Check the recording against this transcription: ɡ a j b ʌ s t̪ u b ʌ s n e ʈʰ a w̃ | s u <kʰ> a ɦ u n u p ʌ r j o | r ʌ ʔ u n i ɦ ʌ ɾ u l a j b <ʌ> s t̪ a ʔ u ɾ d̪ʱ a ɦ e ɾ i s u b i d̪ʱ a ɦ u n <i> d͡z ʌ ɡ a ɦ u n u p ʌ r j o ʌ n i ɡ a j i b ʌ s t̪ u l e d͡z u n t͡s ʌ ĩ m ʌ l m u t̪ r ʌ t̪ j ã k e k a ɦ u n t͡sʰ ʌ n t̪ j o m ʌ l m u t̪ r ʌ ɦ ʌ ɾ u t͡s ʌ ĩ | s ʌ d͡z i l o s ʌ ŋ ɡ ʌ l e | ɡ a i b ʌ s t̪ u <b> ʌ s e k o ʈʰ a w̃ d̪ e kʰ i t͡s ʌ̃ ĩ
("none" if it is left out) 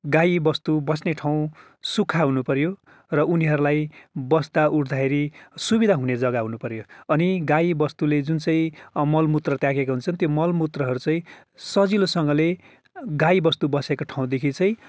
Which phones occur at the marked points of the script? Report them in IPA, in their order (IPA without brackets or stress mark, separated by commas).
kʰ, ʌ, e, b